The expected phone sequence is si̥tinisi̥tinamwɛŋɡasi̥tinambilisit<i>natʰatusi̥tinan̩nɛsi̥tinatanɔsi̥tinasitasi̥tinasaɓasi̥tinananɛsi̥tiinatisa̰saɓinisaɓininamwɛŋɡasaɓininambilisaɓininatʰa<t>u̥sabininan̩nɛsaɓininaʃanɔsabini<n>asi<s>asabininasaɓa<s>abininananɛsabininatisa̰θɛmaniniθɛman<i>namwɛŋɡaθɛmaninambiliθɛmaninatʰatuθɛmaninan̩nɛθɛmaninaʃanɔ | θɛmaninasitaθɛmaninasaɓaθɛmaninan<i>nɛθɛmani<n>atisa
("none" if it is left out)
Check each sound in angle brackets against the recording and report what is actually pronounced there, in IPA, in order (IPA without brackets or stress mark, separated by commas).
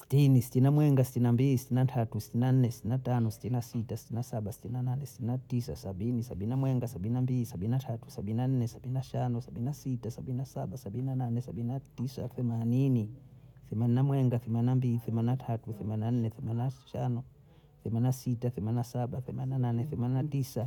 i, t, n, t, s, i, a, n